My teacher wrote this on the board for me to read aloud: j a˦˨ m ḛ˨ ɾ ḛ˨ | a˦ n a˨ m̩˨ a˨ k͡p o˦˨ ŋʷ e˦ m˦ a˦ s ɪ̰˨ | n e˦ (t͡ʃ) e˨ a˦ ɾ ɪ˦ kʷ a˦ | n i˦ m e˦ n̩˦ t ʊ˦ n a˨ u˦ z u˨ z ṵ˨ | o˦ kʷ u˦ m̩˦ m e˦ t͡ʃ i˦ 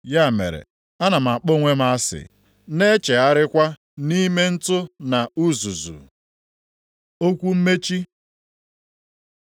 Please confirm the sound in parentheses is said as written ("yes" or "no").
yes